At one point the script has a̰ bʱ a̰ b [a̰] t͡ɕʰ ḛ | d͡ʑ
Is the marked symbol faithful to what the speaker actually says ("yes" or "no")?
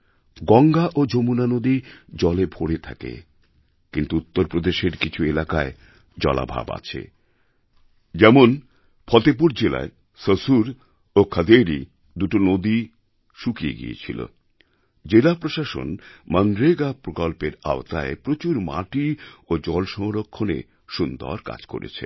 yes